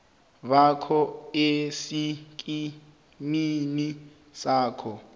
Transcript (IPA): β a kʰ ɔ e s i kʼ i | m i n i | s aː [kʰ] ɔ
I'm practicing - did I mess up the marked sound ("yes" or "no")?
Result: no